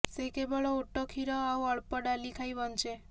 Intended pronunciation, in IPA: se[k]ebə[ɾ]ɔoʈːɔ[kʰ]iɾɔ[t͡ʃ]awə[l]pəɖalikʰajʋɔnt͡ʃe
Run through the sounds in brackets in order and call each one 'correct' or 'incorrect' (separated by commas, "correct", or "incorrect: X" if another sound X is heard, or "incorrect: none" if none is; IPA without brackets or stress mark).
correct, incorrect: ɭ, correct, incorrect: none, incorrect: ɭ